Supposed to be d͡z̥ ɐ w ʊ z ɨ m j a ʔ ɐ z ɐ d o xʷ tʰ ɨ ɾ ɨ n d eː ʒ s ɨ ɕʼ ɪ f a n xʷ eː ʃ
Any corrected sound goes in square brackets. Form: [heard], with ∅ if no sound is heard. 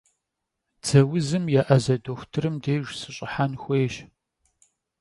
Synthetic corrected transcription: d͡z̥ ɐ w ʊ z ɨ m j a ʔ ɐ z ɐ d o xʷ tʰ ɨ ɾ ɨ [m] d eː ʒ s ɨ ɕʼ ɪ [ħ] a n xʷ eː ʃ